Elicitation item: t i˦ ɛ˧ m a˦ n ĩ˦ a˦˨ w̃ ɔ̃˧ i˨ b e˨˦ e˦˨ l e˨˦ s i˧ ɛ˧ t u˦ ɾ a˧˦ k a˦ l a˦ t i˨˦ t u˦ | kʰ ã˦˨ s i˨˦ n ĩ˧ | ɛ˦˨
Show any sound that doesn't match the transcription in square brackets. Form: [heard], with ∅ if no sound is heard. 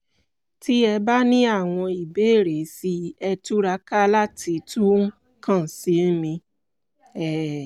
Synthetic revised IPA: t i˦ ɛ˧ [b] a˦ n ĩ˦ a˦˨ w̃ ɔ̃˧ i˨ b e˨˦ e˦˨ [ɾ] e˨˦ s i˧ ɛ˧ t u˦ ɾ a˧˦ k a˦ l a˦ t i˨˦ t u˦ | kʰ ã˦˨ s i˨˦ [m] ĩ˧ | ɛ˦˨